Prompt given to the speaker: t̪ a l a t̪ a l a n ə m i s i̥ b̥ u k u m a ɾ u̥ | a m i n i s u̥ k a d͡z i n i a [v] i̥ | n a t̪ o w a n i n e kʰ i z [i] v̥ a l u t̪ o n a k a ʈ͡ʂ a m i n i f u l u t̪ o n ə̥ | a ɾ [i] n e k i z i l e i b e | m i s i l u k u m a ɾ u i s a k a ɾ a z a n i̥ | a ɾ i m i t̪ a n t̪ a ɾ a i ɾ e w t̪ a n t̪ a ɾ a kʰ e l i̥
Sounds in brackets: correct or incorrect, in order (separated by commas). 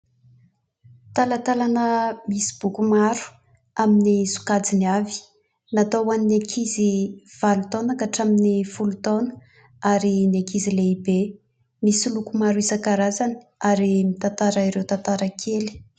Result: correct, correct, correct